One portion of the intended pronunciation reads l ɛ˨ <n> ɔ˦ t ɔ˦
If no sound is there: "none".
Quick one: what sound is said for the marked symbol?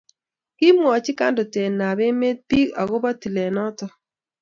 n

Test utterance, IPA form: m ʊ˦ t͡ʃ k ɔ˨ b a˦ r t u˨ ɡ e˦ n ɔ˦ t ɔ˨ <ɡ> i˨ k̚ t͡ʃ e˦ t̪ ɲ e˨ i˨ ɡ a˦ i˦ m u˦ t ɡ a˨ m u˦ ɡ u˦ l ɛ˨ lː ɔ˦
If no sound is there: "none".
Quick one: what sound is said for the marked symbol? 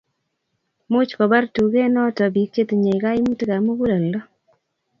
b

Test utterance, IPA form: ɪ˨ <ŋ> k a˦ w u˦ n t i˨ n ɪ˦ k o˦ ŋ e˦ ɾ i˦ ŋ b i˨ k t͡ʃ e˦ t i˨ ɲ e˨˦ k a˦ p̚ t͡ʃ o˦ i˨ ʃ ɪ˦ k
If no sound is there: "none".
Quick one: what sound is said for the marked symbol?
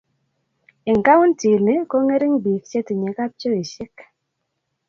ŋ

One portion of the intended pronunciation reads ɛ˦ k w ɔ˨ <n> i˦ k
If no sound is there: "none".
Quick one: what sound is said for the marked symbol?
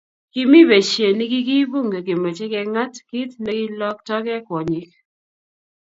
ɲ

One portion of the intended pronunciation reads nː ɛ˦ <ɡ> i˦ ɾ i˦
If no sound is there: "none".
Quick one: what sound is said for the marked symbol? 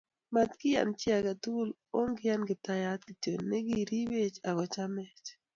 ɡ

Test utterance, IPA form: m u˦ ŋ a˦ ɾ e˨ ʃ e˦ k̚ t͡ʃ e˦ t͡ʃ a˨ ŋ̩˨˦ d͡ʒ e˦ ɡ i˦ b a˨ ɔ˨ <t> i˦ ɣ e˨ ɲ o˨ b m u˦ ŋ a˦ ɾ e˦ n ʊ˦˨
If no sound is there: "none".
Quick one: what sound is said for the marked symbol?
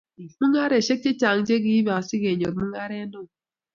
s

